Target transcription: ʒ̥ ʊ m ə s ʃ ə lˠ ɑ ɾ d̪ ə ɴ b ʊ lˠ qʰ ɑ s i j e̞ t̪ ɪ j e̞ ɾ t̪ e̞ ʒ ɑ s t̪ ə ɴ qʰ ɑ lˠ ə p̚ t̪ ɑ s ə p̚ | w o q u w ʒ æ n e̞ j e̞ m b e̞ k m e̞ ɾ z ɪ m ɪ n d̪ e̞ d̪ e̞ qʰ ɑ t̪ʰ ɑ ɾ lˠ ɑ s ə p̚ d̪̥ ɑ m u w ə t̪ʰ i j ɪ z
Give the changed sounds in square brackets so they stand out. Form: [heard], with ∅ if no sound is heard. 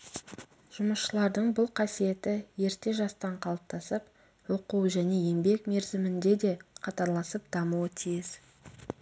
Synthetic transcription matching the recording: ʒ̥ ʊ m ə s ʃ ə lˠ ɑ ɾ d̪ ə ɴ b ʊ lˠ qʰ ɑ s i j e̞ t̪ ɪ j e̞ ɾ t̪ e̞ ʒ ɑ s t̪ [ɑ] ɴ qʰ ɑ lˠ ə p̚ t̪ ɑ s ə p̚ | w o q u w ʒ æ n e̞ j e̞ m b e̞ k m e̞ ɾ z ɪ m ɪ n d̪ e̞ d̪ e̞ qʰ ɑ [t̪] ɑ ɾ lˠ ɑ s ə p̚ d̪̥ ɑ m u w ə t̪ʰ i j ɪ z